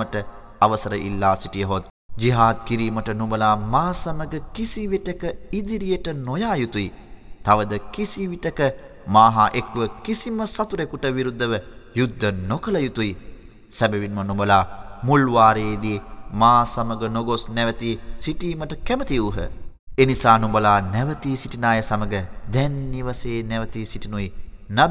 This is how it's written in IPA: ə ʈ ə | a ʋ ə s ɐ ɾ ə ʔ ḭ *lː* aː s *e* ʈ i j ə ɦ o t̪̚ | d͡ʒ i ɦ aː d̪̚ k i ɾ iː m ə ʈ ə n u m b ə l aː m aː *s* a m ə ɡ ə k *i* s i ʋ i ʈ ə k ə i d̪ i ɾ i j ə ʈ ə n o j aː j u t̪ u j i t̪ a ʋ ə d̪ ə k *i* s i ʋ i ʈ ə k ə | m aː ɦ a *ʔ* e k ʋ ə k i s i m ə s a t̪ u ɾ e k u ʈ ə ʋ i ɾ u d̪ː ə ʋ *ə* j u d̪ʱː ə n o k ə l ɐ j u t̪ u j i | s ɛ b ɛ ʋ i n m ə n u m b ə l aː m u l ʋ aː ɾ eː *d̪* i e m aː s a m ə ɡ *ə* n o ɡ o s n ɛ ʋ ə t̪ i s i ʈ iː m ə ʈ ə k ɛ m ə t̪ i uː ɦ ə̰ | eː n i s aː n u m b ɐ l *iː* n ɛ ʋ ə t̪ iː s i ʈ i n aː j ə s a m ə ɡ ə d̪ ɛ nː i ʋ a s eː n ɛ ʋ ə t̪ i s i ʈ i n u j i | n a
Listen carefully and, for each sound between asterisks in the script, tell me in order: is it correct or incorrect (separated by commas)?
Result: correct, incorrect, correct, correct, correct, correct, correct, correct, correct, incorrect